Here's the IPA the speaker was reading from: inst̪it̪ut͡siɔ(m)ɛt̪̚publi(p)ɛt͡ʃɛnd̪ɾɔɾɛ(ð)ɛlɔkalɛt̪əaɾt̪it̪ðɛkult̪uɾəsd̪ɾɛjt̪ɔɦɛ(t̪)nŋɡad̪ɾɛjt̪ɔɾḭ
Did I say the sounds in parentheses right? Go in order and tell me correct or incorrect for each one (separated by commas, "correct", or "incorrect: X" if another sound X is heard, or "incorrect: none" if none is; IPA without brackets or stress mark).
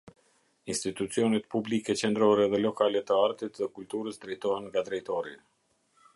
incorrect: n, incorrect: k, correct, incorrect: none